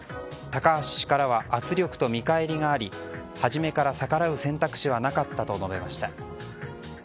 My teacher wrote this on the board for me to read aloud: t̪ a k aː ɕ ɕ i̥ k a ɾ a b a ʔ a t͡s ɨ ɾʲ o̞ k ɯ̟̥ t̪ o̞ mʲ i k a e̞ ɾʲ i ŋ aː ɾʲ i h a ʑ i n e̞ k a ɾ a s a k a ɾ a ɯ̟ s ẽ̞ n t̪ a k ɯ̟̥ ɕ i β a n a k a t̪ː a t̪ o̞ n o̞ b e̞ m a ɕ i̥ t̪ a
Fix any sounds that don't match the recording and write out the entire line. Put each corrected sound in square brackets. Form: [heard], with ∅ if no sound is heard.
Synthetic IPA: t̪ a k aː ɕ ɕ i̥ k a ɾ a [β] a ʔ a t͡s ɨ ɾʲ o̞ k ɯ̟̥ t̪ o̞ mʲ i k a e̞ ɾʲ i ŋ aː ɾʲ i h a ʑ i [m] e̞ k a ɾ a s a k a ɾ a ɯ̟ s ẽ̞ n t̪ a k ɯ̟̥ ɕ i β a n a k a t̪ː a t̪ o̞ n o̞ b e̞ m a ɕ i̥ t̪ a